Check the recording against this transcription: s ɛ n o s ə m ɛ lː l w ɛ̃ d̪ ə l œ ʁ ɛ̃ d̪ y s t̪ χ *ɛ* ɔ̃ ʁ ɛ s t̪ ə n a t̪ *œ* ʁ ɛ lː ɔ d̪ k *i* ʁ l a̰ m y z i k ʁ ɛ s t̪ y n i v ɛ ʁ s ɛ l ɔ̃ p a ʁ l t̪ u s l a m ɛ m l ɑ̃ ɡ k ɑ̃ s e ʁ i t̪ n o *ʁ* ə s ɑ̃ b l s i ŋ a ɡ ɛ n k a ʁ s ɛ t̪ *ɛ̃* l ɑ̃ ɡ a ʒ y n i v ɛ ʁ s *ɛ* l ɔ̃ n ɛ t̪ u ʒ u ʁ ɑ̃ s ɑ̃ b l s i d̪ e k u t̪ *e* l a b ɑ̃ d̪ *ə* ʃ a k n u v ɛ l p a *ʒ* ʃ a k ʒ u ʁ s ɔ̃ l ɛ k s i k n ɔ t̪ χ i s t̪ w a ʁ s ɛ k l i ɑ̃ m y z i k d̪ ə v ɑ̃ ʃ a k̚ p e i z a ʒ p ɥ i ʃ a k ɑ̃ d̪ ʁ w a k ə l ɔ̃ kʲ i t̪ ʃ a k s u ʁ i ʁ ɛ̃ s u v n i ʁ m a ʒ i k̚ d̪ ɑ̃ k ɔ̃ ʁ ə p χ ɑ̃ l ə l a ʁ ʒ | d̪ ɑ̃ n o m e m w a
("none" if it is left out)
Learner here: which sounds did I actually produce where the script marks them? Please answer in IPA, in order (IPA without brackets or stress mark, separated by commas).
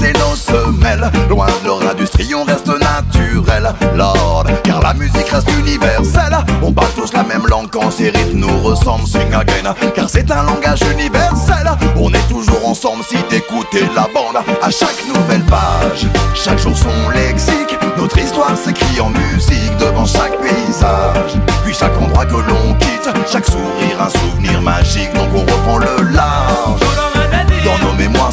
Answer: i, y, a, ʁ, ɛ̃, ɛ, e, a, ʒ